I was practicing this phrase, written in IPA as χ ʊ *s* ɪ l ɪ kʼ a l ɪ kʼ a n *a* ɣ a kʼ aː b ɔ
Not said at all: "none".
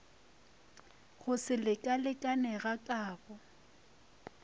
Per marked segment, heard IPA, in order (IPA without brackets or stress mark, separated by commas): s, ɛ